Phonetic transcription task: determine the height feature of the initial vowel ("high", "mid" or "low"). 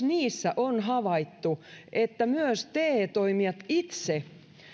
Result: high